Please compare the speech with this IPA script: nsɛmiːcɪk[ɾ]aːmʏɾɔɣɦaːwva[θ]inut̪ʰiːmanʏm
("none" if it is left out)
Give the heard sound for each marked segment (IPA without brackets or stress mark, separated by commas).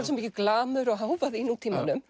l, ð